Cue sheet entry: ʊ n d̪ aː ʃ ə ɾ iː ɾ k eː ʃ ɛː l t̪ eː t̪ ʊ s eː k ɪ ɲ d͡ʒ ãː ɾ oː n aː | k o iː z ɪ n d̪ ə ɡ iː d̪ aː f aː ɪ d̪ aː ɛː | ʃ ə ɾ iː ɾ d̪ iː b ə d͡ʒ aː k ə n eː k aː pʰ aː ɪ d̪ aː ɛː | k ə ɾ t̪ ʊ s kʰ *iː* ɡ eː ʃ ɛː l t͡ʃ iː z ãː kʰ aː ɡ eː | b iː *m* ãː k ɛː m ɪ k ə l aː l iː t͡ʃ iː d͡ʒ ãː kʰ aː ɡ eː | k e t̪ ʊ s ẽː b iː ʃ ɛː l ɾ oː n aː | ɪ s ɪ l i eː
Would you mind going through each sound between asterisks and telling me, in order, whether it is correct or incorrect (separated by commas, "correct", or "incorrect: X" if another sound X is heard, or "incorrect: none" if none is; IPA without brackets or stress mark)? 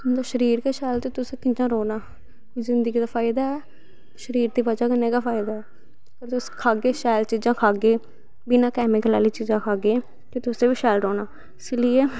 incorrect: aː, incorrect: n